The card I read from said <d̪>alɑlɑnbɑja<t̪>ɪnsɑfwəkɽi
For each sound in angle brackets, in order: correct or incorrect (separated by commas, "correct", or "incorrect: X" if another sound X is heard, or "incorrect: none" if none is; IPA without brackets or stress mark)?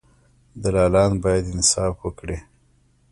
correct, incorrect: d̪